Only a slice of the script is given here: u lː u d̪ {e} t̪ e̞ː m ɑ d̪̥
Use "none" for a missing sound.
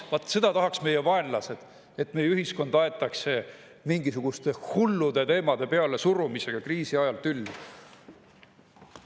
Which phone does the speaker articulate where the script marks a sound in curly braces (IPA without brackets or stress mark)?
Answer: e